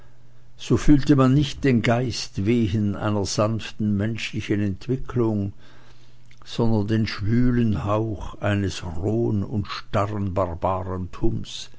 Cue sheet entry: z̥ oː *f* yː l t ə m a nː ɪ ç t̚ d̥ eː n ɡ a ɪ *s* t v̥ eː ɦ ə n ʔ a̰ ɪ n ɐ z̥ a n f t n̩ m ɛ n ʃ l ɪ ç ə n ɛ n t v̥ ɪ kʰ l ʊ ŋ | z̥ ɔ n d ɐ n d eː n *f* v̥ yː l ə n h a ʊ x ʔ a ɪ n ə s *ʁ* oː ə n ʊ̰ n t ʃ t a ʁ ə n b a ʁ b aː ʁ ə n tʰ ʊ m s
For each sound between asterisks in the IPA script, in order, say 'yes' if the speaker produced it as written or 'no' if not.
yes, yes, no, yes

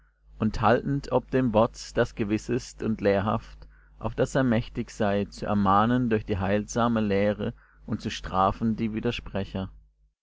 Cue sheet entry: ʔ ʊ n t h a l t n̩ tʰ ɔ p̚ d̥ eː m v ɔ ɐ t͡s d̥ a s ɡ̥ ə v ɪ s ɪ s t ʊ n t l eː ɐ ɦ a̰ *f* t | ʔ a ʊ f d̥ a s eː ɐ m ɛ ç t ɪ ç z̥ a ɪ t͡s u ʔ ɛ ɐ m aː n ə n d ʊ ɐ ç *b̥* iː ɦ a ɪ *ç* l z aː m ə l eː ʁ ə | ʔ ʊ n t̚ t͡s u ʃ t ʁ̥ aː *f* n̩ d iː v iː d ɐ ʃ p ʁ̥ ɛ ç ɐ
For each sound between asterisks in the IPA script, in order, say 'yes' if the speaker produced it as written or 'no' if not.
yes, no, no, yes

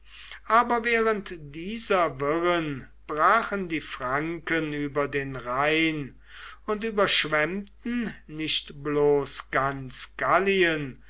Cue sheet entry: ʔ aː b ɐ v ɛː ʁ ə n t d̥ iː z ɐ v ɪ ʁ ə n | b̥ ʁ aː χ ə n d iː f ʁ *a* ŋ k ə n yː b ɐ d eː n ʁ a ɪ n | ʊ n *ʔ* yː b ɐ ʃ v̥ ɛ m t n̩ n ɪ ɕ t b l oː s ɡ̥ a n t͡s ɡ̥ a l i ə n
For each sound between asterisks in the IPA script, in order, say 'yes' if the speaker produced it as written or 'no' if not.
yes, no

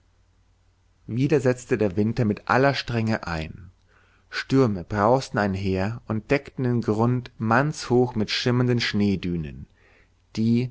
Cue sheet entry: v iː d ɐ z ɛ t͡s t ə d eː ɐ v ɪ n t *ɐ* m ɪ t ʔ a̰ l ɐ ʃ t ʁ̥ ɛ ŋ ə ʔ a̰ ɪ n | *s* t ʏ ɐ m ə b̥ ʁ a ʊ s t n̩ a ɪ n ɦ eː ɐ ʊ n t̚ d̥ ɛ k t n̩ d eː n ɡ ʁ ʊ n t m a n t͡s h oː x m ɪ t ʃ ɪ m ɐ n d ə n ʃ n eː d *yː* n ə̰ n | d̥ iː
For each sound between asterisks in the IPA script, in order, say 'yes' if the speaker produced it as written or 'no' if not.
yes, no, yes

